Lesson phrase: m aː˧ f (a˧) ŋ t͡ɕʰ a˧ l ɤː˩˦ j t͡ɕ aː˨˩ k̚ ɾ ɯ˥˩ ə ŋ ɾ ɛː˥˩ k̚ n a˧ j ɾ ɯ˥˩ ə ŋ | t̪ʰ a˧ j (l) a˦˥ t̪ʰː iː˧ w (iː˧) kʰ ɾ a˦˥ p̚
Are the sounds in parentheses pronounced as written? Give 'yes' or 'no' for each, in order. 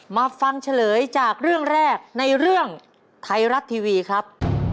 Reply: yes, no, yes

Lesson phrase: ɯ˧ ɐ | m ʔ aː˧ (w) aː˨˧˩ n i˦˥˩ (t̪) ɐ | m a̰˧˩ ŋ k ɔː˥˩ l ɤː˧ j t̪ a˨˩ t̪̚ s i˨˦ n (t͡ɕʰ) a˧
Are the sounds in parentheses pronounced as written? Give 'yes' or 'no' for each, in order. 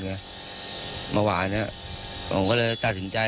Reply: yes, no, no

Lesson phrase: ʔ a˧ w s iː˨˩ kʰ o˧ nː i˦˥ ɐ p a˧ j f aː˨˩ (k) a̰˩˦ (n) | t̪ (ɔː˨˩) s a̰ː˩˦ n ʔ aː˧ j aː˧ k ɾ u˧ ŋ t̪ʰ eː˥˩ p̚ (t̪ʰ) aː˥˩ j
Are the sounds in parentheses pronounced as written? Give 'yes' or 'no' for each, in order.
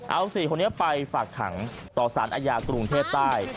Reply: no, no, yes, no

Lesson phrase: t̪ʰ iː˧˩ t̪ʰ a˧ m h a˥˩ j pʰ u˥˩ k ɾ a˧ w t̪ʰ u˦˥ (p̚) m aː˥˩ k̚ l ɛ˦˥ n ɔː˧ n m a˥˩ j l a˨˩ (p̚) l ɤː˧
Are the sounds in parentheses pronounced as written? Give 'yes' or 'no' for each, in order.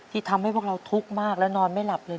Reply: no, yes

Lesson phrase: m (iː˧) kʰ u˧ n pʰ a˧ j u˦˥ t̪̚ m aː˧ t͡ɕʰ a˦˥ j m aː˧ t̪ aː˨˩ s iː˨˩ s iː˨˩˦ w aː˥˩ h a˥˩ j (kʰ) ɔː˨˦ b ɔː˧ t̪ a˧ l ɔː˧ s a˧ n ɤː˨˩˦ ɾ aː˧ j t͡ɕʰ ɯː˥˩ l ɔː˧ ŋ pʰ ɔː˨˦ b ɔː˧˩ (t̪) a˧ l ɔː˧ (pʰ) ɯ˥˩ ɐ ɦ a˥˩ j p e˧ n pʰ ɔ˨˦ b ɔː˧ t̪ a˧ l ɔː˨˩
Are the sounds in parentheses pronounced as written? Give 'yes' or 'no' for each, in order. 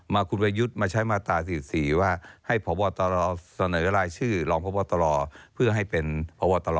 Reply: no, no, yes, yes

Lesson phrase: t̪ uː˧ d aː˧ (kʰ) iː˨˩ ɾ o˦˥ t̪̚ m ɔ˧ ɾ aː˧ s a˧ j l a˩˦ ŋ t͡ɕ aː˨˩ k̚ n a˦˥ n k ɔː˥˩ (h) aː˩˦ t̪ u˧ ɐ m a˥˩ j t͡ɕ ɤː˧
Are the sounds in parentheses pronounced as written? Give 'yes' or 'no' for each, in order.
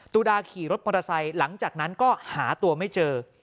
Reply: yes, yes

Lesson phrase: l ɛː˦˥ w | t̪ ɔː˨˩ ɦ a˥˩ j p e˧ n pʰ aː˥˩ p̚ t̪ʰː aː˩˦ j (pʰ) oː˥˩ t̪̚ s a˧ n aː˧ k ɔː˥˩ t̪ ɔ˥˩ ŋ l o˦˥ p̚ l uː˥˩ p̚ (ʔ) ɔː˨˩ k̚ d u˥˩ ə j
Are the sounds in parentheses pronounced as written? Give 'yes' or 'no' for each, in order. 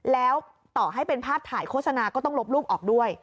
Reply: no, yes

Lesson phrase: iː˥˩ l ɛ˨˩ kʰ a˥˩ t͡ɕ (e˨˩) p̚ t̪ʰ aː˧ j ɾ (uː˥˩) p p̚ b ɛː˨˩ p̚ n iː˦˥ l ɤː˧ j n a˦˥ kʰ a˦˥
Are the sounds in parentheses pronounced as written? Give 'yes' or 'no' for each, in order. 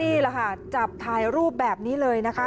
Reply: no, yes

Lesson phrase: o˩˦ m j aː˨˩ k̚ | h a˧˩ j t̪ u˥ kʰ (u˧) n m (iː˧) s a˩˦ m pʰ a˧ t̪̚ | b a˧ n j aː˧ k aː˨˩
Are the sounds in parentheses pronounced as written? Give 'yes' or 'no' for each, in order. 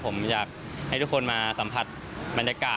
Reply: no, no

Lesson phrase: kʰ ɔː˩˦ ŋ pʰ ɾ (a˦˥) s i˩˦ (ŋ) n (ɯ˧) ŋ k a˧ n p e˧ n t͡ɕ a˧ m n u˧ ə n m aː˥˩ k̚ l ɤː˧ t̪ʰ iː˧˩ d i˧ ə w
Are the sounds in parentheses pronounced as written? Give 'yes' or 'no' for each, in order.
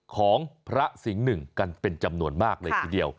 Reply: yes, yes, no

